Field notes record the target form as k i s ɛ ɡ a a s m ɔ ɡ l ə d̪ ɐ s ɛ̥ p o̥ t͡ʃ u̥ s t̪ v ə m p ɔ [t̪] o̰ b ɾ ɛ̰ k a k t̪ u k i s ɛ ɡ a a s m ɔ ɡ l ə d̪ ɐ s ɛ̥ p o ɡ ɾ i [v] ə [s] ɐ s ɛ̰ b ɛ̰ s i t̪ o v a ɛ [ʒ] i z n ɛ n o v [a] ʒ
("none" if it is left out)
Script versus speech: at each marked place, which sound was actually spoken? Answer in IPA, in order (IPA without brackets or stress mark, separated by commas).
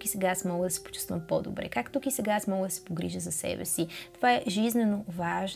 d̪, ʒ, z, ʒ, a